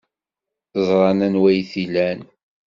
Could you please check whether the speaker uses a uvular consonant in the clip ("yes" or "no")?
no